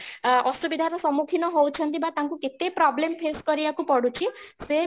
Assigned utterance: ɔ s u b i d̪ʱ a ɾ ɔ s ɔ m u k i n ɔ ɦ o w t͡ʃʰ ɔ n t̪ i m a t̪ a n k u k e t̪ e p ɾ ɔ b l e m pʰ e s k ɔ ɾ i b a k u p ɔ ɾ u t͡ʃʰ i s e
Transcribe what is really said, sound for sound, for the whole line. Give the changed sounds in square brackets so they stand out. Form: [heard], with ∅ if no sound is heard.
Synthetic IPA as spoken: ɔ s u b i d̪ʱ a ɾ ɔ s ɔ m u [kʰ] i n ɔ ɦ o w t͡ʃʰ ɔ n t̪ i [b] a t̪ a [ŋ] k u k e t̪ e p ɾ ɔ b l e m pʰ e s k ɔ ɾ i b a k u p ɔ [ɽ] u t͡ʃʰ i s e

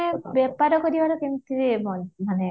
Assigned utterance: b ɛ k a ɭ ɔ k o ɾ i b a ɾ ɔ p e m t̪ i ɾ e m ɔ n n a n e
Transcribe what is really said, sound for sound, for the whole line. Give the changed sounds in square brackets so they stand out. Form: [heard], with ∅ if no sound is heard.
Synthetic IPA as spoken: b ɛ [p] a [ɾ] ɔ k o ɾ i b a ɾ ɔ [k] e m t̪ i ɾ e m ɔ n [m] a n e

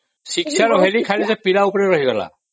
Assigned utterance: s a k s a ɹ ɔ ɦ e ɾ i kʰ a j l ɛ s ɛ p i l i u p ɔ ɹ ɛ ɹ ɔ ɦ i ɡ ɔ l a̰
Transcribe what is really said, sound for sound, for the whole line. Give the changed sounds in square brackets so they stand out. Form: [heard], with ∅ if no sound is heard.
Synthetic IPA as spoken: s [i] k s a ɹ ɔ ɦ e [l] i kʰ a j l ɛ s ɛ p i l [a] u p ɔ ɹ ɛ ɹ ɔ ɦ i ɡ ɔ l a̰

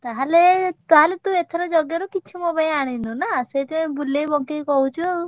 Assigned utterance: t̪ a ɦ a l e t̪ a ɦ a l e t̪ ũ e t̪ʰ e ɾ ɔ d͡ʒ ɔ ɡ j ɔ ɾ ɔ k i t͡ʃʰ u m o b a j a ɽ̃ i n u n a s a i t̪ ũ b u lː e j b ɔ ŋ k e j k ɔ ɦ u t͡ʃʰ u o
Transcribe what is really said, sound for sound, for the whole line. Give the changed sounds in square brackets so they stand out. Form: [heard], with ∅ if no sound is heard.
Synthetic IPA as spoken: t̪ a ɦ a l e t̪ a ɦ a l e t̪ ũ e t̪ʰ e ɾ ɔ d͡ʒ ɔ ɡ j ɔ ɾ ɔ k i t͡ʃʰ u m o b a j a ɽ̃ i n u n a s [e] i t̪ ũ b u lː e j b ɔ ŋ k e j k ɔ ɦ u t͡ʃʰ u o

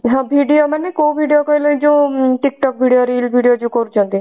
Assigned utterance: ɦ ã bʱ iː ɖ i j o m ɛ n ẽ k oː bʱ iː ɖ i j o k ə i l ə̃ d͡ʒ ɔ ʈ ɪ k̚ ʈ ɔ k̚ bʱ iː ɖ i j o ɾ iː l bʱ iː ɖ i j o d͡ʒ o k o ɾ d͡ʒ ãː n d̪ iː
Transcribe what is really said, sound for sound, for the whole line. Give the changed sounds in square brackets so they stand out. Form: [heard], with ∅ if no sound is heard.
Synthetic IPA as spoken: ɦ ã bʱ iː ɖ i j o m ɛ n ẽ k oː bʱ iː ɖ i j o k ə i l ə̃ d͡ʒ [o] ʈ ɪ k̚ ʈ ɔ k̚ bʱ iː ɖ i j o ɾ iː l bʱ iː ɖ i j o d͡ʒ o k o ɾ d͡ʒ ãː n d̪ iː

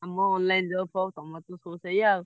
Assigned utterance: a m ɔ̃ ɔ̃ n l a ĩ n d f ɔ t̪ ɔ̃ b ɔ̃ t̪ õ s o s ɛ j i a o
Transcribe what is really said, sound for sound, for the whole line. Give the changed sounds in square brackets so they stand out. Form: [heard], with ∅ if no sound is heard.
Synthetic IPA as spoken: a m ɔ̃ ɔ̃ n l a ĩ n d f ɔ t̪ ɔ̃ [m] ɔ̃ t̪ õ s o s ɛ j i a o

